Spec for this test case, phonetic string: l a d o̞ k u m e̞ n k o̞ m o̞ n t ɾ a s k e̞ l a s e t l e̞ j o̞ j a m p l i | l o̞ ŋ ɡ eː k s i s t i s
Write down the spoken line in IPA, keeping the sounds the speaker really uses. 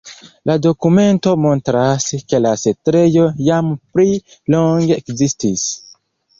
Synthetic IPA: l a d o̞ k u m e̞ n t o̞ m o̞ n t ɾ a s k e̞ l a s e t ɾ e̞ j o̞ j a m p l i | l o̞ ŋ ɡ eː k z i s t i s

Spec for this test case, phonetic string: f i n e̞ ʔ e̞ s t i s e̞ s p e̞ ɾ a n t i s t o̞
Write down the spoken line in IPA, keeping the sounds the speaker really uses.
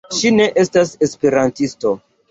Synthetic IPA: ʃ i n e̞ ʔ e̞ s t a s e̞ s p e̞ ɾ a n t i s t o̞

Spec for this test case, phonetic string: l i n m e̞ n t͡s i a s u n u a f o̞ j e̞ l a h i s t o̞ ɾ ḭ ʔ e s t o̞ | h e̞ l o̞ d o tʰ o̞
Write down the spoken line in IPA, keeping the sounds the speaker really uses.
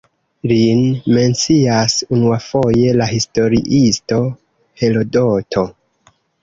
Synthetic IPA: l i n m e̞ n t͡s i a s u n u a f o̞ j e̞ l a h i s t o̞ ɾ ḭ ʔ i s t o̞ | h e̞ l o̞ d o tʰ o̞

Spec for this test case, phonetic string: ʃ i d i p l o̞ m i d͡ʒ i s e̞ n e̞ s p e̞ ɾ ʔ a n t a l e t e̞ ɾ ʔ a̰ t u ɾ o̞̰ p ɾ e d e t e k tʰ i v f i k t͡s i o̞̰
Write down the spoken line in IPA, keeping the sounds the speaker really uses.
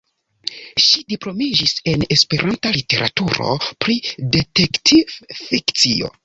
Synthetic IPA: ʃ i d i p l o̞ m i d͡ʒ i s e̞ n e̞ s p e̞ ɾ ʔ a n t a l i t e̞ ɾ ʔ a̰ t u ɾ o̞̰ p ɾ i d e t e k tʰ i v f i k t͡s i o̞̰

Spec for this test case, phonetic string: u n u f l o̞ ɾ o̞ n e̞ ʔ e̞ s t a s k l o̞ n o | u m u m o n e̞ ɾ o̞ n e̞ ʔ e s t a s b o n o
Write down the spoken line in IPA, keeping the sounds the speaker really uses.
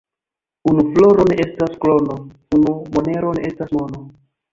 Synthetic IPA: u n u f l o̞ ɾ o̞ n e̞ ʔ e̞ s t a s k l o̞ n o | u n u m o n e̞ ɾ o̞ n e̞ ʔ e s t a s m o n o

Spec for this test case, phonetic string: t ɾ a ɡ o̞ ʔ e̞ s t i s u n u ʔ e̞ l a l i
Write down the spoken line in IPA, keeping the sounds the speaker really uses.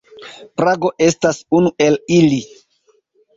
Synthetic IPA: p ɾ a ɡ o̞ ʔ e̞ s t a s u n u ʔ e̞ l i l i

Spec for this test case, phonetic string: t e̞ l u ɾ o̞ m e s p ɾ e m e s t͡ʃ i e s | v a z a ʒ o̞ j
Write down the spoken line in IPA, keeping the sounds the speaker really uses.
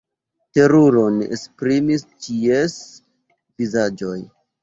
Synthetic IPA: t e̞ ɾ u ɾ o̞ n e s p ɾ i m i s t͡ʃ i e s | v i z a d͡ʒ o̞ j

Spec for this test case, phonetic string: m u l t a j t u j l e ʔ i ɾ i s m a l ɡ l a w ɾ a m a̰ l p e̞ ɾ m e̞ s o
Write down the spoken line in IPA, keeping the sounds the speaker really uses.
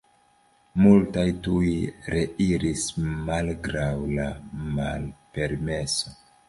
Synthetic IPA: m u l t a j t u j ɾ e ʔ i ɾ i s m a l ɡ ɾ a w l a m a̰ l p e̞ ɾ m e̞ s o

